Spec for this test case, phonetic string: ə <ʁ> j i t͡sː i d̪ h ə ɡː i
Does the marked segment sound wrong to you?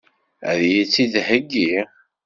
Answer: yes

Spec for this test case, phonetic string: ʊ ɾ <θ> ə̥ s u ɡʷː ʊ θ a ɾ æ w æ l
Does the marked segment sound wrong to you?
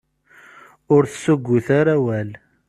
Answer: no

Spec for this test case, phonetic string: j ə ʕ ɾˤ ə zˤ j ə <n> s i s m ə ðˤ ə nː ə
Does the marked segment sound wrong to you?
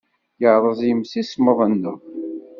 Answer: yes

